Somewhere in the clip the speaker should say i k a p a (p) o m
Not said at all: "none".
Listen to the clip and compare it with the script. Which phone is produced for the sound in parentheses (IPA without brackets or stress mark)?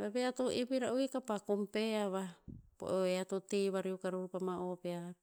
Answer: k